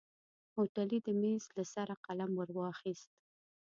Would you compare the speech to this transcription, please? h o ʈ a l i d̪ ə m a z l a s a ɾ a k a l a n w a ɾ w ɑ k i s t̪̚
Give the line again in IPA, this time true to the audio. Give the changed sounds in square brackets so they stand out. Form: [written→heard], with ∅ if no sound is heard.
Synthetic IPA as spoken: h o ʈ a l i d̪ ə m [a→e] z l a s a ɾ a [k→q] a l a [n→m] w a ɾ w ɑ [k→x] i s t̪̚